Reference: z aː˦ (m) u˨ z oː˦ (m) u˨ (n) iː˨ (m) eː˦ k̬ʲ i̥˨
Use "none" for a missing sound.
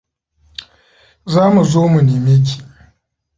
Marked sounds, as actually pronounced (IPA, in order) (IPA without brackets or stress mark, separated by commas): m, m, n, m